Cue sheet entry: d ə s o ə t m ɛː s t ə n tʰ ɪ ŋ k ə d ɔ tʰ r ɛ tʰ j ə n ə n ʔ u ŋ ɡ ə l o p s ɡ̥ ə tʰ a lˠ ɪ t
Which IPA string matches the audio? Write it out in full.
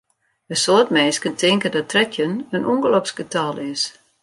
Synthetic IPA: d ə s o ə t m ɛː s k ə n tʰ ɪ ŋ k ə d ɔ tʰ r ɛ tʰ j ə n ə n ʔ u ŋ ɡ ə l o p s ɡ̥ ə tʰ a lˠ ɪ s